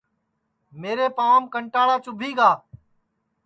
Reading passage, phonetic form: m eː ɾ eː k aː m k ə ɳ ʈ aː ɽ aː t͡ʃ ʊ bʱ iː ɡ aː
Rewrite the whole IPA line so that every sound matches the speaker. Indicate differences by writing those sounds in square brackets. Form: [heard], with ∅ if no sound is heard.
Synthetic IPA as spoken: m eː ɾ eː [p] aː m k ə ɳ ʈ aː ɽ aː t͡ʃ ʊ bʱ iː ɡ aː